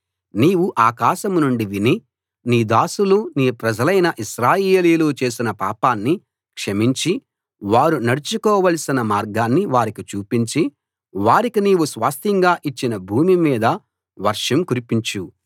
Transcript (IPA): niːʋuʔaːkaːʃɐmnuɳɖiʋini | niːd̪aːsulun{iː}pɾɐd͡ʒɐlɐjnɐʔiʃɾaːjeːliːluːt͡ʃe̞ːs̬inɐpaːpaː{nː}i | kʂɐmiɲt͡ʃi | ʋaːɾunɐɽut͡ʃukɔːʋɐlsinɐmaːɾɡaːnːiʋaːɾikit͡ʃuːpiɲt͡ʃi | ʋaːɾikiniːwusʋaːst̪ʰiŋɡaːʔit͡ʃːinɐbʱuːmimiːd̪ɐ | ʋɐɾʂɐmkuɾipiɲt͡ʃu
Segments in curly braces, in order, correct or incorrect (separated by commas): correct, correct